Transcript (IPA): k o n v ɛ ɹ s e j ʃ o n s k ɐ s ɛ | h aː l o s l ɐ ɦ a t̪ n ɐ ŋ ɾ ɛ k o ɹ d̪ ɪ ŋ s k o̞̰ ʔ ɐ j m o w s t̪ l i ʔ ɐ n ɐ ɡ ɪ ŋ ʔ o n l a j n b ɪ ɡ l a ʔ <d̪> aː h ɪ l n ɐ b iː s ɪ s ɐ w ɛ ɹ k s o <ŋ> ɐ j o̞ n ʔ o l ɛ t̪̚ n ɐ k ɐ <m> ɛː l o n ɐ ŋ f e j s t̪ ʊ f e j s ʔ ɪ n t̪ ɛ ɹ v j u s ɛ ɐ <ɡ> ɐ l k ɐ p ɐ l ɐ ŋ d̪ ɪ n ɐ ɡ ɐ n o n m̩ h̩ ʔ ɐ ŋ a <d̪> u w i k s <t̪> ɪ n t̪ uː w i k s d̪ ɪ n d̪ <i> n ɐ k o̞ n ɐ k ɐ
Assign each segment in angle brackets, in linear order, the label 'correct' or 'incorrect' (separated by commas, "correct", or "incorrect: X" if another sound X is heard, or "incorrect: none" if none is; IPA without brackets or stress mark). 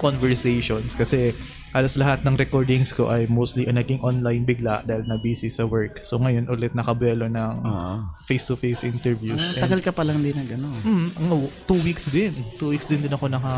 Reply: correct, correct, incorrect: b, correct, incorrect: t̪, incorrect: d̪, incorrect: ɪ